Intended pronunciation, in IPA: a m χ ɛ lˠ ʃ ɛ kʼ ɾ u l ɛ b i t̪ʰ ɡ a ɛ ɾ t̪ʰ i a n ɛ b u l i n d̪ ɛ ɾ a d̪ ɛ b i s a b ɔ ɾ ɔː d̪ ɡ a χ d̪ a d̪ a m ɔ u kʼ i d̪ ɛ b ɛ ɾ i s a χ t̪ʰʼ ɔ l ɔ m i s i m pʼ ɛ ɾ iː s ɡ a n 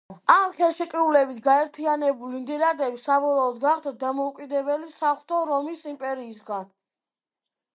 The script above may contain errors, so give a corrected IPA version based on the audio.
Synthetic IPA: a m χ ɛ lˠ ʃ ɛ kʼ ɾ u l ɛ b i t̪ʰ ɡ a ɛ ɾ t̪ʰ i a n ɛ b u l i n d̪ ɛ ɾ a d̪ ɛ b i s a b ɔ ɾ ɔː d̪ ɡ a χ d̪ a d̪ a m ɔ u kʼ i d̪ ɛ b ɛ l i s a χ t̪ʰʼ ɔ ɾ ɔ m i s i m pʼ ɛ ɾ iː s ɡ a n